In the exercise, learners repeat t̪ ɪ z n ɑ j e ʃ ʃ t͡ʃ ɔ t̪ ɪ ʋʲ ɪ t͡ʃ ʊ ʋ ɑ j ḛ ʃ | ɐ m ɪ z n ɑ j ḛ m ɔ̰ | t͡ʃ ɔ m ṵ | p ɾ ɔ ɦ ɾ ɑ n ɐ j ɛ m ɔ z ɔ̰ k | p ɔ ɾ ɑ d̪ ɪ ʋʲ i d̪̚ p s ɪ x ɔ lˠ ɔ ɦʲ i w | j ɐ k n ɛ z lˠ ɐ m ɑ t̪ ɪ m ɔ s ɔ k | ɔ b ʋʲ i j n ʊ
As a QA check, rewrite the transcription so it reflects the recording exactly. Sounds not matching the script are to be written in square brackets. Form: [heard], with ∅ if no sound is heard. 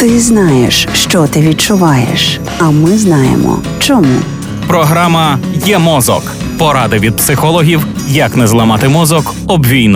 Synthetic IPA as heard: t̪ ɪ z n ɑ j e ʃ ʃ t͡ʃ ɔ t̪ ɪ ʋʲ [i] t͡ʃ ʊ ʋ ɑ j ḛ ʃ | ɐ m ɪ z n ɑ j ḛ m ɔ̰ | t͡ʃ ɔ m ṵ | p ɾ ɔ ɦ ɾ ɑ [m] ɐ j ɛ m ɔ z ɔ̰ k | p ɔ ɾ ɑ d̪ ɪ ʋʲ i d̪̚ p s ɪ x ɔ lˠ ɔ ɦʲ i w | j ɐ k n ɛ z lˠ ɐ m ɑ t̪ ɪ m ɔ [z] ɔ k | ɔ b ʋʲ i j n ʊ